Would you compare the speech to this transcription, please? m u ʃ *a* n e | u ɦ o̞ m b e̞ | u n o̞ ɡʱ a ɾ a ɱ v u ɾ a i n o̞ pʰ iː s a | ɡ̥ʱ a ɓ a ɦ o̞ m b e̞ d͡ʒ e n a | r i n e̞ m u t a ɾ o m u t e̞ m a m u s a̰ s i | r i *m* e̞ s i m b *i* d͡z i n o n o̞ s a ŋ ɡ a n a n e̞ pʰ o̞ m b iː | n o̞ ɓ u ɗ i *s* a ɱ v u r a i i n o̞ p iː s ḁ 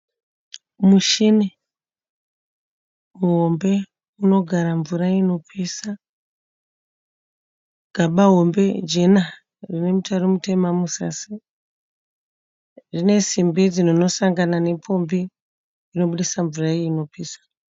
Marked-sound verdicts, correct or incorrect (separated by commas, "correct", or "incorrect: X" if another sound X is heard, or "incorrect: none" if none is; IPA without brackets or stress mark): incorrect: i, incorrect: n, correct, correct